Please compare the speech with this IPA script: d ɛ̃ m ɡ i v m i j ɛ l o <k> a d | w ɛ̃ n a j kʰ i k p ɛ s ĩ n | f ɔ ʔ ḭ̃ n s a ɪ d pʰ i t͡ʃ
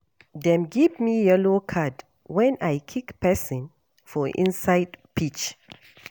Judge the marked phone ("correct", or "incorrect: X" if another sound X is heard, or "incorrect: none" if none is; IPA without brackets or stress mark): incorrect: kʰ